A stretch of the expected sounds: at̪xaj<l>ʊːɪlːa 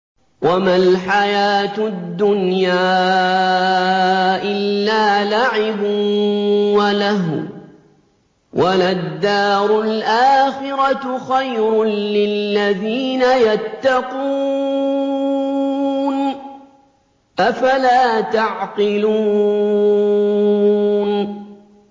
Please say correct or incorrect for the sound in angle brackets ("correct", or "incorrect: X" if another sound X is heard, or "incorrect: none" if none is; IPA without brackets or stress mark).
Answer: incorrect: ɾ